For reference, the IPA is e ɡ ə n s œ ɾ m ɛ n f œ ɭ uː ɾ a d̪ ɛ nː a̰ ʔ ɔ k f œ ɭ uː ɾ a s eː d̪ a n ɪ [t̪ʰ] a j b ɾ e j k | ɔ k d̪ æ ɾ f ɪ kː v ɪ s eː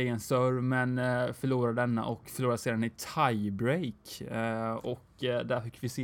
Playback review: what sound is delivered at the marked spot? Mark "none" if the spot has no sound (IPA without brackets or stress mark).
t̪ʰ